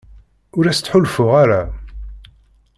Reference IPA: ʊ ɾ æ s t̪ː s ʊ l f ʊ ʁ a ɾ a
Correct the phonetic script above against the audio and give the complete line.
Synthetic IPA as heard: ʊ ɾ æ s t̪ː ħ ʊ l f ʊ ʁ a ɾ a